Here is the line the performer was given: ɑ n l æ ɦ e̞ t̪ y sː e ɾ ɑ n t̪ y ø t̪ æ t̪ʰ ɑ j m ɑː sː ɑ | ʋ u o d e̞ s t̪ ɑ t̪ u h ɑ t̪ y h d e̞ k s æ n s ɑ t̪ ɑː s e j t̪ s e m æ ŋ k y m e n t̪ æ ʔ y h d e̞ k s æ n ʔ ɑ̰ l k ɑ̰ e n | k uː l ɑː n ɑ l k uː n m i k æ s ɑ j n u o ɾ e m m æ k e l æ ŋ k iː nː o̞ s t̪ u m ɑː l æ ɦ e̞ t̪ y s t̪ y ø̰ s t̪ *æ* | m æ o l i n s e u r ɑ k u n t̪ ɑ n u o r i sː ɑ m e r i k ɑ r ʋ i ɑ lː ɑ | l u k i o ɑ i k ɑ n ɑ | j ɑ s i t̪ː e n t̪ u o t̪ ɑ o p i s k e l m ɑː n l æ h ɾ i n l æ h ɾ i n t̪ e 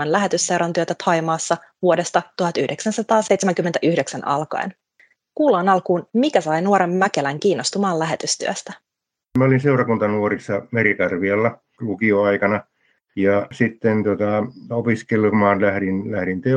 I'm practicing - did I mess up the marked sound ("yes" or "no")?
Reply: no